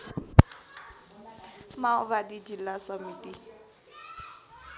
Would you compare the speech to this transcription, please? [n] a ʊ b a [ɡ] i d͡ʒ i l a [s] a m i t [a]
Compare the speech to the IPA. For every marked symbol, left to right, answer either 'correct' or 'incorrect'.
incorrect, incorrect, correct, incorrect

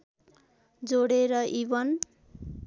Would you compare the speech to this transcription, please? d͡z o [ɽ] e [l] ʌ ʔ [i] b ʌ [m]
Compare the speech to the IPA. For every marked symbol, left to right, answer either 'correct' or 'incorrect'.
correct, incorrect, correct, incorrect

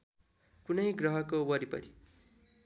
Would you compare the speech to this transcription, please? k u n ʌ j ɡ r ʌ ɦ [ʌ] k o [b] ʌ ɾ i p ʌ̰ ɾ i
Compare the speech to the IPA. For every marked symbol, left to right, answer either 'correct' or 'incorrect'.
correct, incorrect

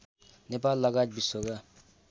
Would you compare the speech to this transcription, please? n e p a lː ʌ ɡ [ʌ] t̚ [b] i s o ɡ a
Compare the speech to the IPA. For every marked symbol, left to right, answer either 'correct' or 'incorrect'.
incorrect, correct

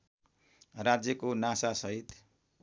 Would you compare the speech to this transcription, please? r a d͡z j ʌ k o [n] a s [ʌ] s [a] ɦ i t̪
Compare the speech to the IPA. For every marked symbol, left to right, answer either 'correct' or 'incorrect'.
correct, incorrect, incorrect

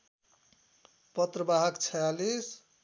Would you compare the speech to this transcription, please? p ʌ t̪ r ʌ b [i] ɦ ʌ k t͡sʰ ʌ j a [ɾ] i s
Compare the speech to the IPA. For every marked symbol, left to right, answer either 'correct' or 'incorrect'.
incorrect, incorrect

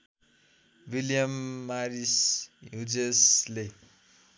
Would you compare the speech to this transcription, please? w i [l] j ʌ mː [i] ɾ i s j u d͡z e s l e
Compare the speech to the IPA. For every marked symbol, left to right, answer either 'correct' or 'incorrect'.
correct, incorrect

